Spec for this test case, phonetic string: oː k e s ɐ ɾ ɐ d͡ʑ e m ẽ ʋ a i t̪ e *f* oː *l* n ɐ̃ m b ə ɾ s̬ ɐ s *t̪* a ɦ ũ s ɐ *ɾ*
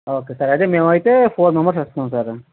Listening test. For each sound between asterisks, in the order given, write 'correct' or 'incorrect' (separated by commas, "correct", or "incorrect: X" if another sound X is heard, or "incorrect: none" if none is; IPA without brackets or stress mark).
correct, incorrect: ɾ, correct, correct